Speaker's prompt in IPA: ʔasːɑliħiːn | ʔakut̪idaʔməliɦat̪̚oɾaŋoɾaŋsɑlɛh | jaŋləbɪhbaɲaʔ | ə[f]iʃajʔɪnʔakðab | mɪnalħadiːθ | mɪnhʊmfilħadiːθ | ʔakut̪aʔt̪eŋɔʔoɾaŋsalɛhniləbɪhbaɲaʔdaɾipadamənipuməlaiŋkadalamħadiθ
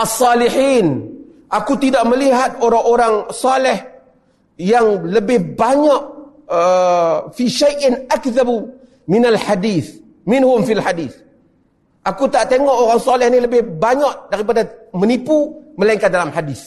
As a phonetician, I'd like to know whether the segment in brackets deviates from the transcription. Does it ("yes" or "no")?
no